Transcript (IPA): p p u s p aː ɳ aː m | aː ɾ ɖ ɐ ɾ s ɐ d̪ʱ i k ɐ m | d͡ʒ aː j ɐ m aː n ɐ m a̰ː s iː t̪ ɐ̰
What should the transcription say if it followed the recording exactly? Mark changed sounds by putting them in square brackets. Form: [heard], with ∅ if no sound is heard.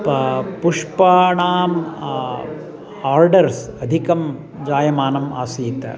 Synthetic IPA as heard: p p u [ʂ] p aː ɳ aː m | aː ɾ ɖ ɐ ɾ s ɐ d̪ʱ i k ɐ m | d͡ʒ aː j ɐ m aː n ɐ m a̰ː s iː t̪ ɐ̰